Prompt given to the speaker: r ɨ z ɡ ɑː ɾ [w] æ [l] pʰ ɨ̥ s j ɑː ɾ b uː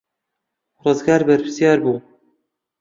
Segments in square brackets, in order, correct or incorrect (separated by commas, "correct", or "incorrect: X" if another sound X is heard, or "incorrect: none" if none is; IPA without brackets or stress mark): incorrect: b, incorrect: ɾ